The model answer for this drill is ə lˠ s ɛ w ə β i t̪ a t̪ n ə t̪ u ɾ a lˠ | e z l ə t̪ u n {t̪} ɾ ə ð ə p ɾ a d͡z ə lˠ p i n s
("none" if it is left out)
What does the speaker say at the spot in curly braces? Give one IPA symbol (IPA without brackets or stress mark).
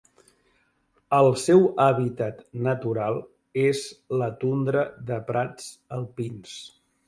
d̪